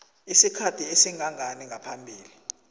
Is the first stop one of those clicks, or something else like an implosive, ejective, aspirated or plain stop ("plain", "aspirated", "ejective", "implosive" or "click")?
aspirated